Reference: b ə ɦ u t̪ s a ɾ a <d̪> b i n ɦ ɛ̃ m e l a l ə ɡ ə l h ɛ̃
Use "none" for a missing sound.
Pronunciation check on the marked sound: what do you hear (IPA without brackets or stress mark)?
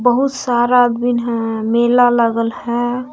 d̪